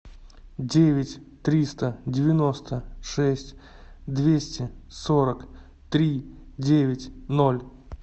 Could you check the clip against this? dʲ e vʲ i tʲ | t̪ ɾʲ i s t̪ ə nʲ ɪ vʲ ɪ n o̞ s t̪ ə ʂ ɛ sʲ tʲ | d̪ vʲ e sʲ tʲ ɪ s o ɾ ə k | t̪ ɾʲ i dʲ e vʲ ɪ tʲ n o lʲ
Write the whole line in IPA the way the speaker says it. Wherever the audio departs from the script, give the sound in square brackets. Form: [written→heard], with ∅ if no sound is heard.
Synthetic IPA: dʲ e vʲ [i→ɪ] tʲ | t̪ ɾʲ i s t̪ ə [nʲ→dʲ] ɪ vʲ ɪ n o̞ s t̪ ə ʂ ɛ sʲ tʲ | d̪ vʲ e sʲ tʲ ɪ s o ɾ ə k | t̪ ɾʲ i dʲ e vʲ ɪ tʲ n o lʲ